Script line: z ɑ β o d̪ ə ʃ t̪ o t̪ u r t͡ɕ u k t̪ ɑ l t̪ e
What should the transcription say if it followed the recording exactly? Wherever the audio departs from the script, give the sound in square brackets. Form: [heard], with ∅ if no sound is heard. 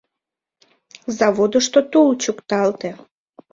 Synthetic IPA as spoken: z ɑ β o d̪ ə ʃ t̪ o t̪ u [l] t͡ɕ u k t̪ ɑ l t̪ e